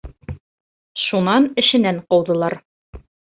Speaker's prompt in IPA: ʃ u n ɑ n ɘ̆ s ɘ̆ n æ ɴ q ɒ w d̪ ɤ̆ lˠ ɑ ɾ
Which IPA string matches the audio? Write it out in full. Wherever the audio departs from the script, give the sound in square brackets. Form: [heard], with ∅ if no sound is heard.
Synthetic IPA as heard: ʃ u n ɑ n ɘ̆ [ʃ] ɘ̆ n æ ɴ q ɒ w d̪ ɤ̆ lˠ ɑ ɾ